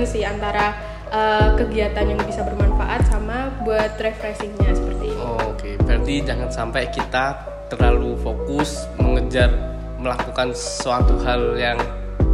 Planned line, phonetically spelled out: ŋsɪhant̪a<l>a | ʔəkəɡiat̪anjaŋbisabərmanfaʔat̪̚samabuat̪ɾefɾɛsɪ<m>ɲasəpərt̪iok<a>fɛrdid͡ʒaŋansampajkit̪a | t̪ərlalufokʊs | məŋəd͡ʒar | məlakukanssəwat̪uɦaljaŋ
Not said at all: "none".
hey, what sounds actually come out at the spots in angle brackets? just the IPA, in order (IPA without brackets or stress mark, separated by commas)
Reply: ɾ, ŋ, e